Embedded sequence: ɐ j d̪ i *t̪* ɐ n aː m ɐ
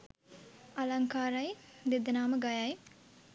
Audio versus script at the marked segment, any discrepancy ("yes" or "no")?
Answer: yes